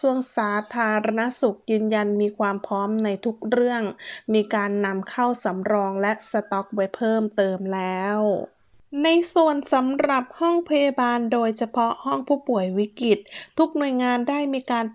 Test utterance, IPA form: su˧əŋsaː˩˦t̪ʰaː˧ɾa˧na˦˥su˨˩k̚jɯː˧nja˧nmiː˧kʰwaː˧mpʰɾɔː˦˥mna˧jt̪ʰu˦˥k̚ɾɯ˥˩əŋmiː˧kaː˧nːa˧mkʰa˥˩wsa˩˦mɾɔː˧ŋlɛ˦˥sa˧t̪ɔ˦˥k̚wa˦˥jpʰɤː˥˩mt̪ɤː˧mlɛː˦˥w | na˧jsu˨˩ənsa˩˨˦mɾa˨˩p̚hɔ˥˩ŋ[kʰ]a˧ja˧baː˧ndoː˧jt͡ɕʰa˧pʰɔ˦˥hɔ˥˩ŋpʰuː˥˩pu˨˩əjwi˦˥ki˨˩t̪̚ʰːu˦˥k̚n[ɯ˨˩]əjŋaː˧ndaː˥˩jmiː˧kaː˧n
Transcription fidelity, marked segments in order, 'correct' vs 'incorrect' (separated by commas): incorrect, incorrect